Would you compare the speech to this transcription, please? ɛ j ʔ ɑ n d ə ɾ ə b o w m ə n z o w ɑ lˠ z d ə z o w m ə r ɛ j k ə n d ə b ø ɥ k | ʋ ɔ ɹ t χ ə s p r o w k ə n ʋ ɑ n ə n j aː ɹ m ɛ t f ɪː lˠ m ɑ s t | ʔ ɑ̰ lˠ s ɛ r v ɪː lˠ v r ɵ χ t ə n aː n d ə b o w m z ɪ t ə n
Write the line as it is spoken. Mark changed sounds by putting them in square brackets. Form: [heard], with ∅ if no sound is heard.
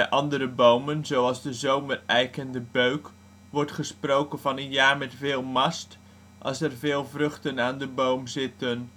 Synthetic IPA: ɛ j ʔ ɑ n d ə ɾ ə b o w m ə n z o w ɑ lˠ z d ə z o w m ə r ɛ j k ə n d ə b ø ɥ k | ʋ ɔ ɹ t χ ə s p r o w k ə n [v] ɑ n ə n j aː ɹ m ɛ t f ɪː lˠ m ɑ s t | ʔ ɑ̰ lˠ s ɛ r v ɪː lˠ v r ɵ χ t ə n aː n d ə b o w m z ɪ t ə n

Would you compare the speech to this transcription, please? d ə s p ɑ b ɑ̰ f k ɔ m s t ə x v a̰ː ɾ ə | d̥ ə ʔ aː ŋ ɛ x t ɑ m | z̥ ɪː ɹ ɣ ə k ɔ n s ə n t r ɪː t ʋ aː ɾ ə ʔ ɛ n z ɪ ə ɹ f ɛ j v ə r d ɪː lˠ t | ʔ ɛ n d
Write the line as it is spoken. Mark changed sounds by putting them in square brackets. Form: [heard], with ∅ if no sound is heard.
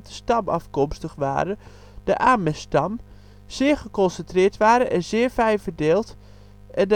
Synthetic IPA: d ə s [t] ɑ [m] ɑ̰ f k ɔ m s t ə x [ʋ] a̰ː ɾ ə | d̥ ə ʔ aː [m] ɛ [s] t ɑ m | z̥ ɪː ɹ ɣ ə k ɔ n s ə n t r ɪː t ʋ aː ɾ ə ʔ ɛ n z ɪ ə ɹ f ɛ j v ə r d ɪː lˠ t | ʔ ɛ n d

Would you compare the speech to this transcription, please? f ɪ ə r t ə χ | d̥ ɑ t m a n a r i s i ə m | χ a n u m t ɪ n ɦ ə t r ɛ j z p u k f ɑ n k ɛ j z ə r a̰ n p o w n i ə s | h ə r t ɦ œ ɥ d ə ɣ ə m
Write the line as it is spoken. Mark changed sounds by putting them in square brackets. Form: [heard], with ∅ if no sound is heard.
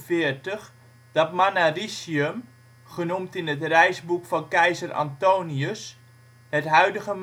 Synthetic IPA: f ɪ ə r t ə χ | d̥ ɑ t m a n a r i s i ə m | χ [ə] n u m t ɪ n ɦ ə t r ɛ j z [b] u k f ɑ n k ɛ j z ə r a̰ n [t] o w n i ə s | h ə [∅] t ɦ œ ɥ d ə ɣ ə m

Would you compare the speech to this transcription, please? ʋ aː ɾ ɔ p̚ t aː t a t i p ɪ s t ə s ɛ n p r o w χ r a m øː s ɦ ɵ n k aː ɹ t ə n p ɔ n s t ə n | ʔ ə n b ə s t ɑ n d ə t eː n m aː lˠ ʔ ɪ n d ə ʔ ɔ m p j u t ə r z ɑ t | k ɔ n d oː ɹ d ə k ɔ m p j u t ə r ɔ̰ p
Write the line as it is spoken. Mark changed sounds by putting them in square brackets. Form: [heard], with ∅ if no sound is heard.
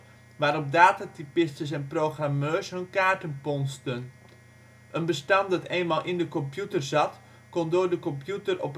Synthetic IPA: ʋ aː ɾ ɔ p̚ [d] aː t a t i p ɪ s t ə s ɛ n p r o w χ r a m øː s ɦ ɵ n k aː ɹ t ə n p ɔ n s t ə n | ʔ ə n b ə s t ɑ n d [ɑ] t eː n m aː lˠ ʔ ɪ n d ə [k] ɔ m p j u t ə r z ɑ t | k ɔ n d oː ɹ d ə k ɔ m p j u t ə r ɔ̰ p

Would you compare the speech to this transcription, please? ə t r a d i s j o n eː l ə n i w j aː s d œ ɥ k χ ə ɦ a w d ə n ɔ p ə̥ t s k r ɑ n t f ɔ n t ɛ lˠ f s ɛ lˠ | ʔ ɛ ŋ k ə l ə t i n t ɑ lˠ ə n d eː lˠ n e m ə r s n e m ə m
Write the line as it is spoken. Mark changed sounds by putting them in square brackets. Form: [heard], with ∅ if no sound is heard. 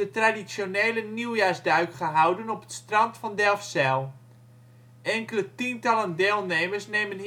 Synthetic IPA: ə t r a d i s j o n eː l ə n i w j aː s d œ ɥ k χ ə ɦ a w d ə n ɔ p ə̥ t s [t] r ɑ n t f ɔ n [d] ɛ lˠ f s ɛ lˠ | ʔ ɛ ŋ k ə l ə t i n t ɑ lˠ ə n d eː lˠ n e m ə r s n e m ə [n]

